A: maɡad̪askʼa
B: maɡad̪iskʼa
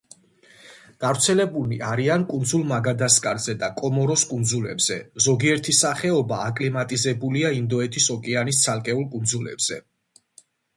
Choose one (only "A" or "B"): A